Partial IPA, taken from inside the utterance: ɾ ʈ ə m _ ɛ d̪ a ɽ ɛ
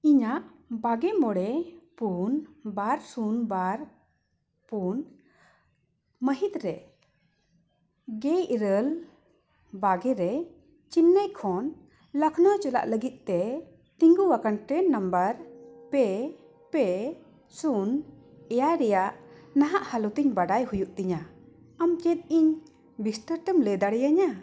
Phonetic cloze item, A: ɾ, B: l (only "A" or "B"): B